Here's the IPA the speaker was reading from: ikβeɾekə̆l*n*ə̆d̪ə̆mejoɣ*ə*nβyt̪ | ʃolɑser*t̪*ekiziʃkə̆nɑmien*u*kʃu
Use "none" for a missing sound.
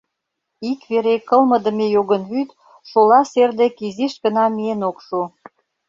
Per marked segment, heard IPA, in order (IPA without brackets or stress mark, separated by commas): m, ə, d̪, o